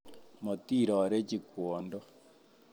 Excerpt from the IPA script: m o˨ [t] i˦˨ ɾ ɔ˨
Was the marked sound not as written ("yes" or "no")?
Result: no